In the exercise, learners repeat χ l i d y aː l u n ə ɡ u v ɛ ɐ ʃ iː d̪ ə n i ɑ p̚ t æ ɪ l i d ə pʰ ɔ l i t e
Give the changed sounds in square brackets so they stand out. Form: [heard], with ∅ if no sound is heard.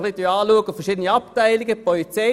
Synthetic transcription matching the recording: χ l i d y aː l u [∅] ə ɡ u [f] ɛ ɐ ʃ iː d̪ ə n i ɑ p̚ t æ ɪ l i [ɡ] ə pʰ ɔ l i [t͡s] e